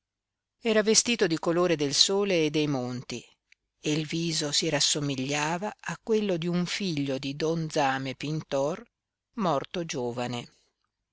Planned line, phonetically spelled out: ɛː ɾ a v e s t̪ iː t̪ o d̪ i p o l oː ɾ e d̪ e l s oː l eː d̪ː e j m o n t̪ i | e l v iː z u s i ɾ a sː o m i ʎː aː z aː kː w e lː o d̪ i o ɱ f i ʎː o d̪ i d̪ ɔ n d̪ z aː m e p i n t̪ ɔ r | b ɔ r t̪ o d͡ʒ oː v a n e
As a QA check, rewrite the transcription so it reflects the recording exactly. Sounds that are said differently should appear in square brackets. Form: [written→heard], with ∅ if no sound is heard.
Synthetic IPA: ɛː ɾ a v e s t̪ iː t̪ o d̪ i [p→k] o l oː ɾ e d̪ e l s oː l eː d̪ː e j m o n t̪ i | e l v iː z [u→o] s i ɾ a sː o m i ʎː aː [z→v] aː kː w e lː o d̪ i [o→u] ɱ f i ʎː o d̪ i d̪ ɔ n d̪ z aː m e p i n t̪ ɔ r | [b→m] ɔ r t̪ o d͡ʒ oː v a n e